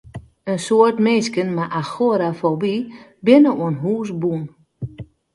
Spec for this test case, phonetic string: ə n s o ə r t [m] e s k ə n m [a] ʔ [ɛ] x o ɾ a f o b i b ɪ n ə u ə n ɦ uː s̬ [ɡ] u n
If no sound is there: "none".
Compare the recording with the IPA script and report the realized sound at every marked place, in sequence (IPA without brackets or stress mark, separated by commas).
m, a, a, b